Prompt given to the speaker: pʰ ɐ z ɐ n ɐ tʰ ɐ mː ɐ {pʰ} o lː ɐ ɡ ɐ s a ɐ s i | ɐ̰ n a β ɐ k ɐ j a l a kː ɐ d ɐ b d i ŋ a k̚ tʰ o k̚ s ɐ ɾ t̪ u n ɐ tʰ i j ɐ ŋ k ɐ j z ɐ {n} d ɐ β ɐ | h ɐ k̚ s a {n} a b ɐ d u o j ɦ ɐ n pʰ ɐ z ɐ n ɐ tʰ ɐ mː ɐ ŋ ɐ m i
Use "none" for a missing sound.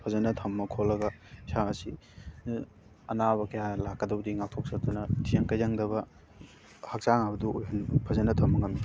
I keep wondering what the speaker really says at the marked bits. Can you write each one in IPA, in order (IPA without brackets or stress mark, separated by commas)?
kʰ, ŋ, ŋ